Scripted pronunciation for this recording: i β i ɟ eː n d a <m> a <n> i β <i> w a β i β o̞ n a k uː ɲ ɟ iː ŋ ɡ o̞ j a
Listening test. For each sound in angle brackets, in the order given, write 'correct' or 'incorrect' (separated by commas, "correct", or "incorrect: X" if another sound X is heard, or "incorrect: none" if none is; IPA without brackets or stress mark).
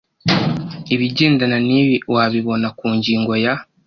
incorrect: n, correct, correct